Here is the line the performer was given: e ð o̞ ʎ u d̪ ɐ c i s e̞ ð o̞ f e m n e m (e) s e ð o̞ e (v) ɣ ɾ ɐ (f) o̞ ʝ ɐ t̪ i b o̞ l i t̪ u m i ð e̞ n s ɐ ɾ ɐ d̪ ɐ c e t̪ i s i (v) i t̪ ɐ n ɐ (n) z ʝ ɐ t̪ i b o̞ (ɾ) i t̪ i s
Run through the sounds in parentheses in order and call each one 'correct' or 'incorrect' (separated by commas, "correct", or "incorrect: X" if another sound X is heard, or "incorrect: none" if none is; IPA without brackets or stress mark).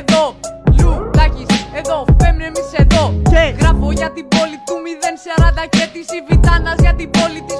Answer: incorrect: i, incorrect: none, correct, correct, incorrect: none, incorrect: l